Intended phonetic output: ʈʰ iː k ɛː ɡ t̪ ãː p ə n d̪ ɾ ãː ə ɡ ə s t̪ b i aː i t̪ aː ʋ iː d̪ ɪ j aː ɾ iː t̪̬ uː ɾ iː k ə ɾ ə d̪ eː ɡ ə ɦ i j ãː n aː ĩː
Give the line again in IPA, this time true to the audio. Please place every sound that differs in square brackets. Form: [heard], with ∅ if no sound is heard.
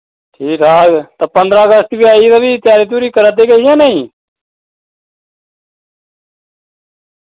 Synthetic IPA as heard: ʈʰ iː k [aː] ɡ t̪ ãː p ə n d̪ ɾ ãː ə ɡ ə s t̪ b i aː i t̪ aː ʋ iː [t̪] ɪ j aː ɾ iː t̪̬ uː ɾ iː k ə ɾ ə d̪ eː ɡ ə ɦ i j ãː n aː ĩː